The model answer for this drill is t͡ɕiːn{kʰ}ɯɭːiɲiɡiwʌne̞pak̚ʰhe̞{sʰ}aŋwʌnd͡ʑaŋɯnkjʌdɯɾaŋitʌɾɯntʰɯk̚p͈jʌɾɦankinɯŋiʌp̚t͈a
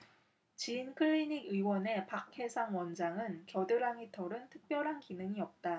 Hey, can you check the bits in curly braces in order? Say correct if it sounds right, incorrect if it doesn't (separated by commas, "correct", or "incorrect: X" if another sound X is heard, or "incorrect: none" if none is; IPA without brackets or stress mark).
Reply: correct, correct